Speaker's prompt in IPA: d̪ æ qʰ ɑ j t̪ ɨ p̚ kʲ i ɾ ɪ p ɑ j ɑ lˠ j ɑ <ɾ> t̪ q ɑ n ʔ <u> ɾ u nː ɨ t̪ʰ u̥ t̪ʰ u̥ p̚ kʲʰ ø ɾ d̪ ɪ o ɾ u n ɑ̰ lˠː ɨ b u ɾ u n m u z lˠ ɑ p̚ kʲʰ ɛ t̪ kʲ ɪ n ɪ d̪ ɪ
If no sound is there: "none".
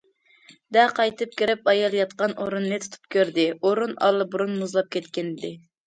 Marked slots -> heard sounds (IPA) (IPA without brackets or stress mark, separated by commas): none, o